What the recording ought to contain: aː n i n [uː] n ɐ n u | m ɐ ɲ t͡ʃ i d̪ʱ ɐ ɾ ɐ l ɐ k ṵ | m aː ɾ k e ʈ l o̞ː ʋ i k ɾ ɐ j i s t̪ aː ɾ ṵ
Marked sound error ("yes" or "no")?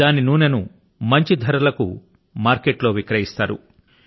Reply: no